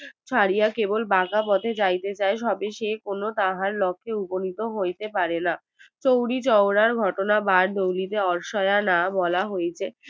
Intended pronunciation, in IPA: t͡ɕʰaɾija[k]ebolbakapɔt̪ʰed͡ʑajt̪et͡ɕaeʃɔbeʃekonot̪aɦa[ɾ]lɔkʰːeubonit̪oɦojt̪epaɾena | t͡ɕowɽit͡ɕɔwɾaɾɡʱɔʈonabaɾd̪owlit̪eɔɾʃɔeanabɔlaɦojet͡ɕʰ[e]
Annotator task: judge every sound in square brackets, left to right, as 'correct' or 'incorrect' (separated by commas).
correct, correct, correct